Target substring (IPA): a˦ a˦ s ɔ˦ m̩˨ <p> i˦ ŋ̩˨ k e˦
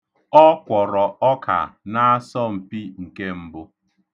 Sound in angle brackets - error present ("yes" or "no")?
no